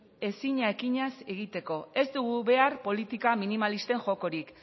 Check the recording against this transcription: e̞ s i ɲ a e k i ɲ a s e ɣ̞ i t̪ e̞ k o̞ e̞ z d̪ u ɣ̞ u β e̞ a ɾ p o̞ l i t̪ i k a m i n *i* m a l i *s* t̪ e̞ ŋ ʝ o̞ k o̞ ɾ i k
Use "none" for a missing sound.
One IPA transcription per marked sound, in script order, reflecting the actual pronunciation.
i, s

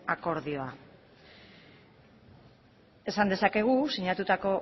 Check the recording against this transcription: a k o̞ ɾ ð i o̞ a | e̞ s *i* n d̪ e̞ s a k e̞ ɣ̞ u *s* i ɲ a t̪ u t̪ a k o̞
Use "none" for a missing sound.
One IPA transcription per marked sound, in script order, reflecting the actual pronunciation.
a, s

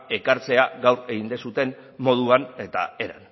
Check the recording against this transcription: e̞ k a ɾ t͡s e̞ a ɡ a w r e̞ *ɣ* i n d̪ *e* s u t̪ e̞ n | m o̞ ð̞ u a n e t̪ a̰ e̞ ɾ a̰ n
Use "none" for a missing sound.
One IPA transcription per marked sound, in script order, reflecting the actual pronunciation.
ɣ, e

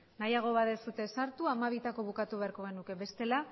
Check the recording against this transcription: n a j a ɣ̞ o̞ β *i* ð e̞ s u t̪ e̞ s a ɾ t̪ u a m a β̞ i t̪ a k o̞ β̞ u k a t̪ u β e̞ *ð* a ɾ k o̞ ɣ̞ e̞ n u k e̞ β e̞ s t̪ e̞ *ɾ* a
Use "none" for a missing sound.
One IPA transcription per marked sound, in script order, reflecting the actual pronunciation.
a, none, l

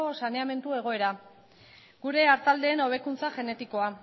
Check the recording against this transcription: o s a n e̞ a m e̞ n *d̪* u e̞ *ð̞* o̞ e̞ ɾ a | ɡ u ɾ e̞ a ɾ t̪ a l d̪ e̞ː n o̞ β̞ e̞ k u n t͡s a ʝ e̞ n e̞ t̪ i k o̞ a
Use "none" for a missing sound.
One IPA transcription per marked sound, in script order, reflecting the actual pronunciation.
t̪, ɣ̞

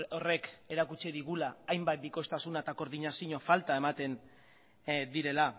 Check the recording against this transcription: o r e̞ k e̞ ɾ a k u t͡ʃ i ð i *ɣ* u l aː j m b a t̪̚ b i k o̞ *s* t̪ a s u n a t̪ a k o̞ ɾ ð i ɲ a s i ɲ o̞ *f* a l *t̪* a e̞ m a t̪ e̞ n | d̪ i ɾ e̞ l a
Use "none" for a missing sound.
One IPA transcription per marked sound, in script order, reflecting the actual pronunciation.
ɣ, s, f, t̪

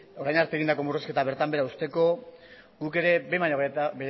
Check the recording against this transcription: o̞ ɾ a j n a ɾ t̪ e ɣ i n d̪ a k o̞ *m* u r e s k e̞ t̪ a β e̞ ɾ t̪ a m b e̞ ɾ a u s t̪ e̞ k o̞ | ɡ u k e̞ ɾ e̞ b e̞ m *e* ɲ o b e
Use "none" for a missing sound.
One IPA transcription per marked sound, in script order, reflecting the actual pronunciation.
m, a

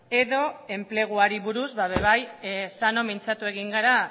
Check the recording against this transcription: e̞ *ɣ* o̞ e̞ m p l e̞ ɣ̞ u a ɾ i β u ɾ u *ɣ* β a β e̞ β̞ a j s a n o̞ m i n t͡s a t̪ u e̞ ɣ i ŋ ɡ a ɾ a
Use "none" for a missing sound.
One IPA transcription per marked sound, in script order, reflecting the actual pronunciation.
ð, z

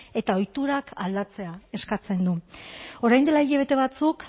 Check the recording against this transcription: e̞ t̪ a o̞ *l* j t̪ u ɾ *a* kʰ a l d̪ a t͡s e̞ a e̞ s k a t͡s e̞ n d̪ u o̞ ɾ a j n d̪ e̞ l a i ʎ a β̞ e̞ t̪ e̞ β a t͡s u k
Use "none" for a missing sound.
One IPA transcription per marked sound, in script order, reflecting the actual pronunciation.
none, a

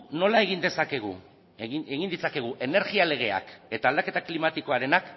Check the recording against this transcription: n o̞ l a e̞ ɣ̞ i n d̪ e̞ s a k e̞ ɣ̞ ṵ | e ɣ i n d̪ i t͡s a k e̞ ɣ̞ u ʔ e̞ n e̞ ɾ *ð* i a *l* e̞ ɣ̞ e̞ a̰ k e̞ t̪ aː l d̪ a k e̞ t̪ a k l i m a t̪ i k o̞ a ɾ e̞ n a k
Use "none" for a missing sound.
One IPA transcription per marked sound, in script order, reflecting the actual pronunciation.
ɣ, l

